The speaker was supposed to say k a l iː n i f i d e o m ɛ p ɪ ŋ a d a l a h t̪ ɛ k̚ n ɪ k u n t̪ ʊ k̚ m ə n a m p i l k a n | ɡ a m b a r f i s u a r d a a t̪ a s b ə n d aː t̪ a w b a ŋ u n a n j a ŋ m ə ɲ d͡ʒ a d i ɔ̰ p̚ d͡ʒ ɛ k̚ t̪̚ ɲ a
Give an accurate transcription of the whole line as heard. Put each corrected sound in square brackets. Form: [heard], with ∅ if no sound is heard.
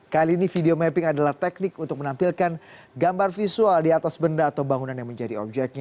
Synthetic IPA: k a l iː n i f i d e o m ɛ p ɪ ŋ a d a l a h t̪ ɛ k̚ n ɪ k u n t̪ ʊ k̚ m ə n a m p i l k a n | ɡ a m b a r f i s u a [l] d [i] a t̪ a s b ə n d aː t̪ a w b a ŋ u n a n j a ŋ m ə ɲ d͡ʒ a d i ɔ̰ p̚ d͡ʒ ɛ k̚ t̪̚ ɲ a